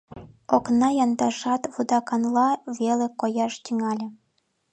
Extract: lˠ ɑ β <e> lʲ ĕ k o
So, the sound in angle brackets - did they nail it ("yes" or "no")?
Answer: yes